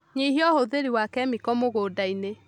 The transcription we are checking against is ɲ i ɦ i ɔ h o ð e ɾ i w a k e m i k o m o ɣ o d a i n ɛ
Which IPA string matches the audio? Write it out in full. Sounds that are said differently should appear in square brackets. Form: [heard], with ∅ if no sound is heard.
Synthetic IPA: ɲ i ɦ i ɔ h o ð e ɾ i w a k [ɛ] m i k [ɔ] m o ɣ o d a i n [e]